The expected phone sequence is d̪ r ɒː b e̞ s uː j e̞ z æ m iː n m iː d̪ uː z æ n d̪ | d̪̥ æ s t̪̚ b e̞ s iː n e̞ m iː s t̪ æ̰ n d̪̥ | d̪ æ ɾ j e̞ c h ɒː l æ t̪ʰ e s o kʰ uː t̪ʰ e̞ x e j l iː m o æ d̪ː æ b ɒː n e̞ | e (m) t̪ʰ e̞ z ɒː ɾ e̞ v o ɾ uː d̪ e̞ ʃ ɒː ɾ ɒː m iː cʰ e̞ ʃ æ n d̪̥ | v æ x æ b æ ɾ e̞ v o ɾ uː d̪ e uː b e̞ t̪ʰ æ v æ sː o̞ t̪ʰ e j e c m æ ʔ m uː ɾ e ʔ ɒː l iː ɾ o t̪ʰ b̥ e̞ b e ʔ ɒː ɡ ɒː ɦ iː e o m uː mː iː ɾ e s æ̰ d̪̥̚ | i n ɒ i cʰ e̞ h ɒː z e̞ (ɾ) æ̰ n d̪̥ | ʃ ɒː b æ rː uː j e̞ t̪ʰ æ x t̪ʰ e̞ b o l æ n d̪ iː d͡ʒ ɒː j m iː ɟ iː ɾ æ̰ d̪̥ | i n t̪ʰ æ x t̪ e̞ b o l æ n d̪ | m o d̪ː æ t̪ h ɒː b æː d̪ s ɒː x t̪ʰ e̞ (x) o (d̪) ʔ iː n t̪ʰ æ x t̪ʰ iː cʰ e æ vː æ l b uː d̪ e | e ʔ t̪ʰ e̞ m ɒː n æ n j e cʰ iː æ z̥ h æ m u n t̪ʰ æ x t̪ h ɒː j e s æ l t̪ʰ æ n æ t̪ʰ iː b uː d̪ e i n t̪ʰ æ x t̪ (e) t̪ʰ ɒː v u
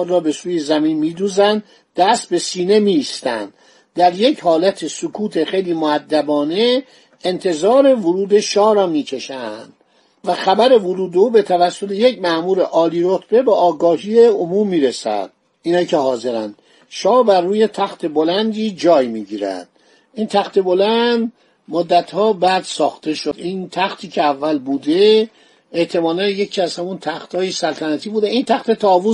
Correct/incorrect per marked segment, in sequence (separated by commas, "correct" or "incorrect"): incorrect, correct, incorrect, correct, correct